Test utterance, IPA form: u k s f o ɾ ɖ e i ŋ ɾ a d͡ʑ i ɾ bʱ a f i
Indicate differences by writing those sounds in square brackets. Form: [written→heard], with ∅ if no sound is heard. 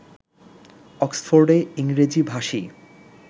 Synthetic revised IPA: [u→ɔ] k s f o ɾ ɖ e i ŋ ɾ [a→e] d͡ʑ i [ɾ→∅] bʱ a [f→ʃ] i